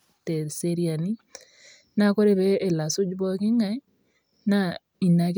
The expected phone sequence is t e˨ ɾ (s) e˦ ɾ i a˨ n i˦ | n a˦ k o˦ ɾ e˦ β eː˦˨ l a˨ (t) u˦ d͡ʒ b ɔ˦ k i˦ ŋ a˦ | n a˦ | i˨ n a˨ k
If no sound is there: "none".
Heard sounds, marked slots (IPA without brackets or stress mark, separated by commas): s, s